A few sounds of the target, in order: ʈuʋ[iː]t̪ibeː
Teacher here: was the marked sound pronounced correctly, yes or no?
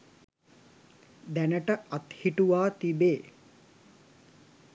no